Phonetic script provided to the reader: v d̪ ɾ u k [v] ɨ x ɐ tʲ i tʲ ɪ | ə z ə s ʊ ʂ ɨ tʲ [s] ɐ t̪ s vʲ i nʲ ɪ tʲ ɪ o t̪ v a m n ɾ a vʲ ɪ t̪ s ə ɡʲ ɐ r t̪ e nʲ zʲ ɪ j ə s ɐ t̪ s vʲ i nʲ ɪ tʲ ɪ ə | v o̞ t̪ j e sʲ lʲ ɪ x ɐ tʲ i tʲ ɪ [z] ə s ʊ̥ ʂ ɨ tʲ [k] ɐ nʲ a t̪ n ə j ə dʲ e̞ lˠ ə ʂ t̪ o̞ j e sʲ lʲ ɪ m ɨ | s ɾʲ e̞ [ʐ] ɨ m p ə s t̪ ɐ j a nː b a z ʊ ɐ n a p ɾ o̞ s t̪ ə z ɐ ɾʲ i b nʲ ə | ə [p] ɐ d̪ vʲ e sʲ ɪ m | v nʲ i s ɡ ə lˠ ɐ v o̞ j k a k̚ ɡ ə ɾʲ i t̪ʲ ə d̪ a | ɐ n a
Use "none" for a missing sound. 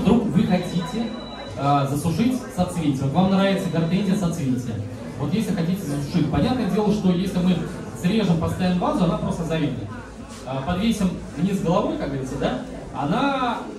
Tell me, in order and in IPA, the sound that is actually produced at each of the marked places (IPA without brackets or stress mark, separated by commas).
v, s, z, p, ʐ, p